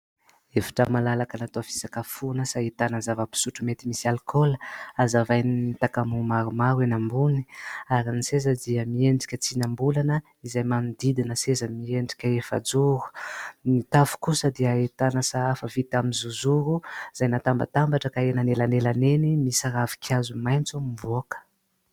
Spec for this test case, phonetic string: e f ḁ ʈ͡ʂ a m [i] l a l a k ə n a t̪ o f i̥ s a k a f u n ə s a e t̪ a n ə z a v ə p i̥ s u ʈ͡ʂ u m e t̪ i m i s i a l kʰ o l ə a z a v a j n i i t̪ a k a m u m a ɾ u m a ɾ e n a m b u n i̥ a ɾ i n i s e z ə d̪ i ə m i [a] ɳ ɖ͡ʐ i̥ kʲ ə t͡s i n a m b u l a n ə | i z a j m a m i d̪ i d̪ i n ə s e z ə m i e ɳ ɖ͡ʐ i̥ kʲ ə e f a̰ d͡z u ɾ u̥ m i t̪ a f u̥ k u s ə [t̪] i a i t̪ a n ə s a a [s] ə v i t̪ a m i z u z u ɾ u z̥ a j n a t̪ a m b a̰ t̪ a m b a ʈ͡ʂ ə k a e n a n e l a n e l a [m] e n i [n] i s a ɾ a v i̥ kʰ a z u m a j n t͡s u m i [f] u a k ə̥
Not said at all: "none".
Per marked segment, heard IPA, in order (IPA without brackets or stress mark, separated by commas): a, e, d̪, f, n, m, v